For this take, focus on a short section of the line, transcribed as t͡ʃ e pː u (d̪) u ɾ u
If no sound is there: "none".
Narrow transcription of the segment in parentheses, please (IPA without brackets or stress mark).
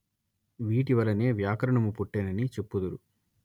d̪